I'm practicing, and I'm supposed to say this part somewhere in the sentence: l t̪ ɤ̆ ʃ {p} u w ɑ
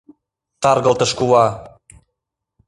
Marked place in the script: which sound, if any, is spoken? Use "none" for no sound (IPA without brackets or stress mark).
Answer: k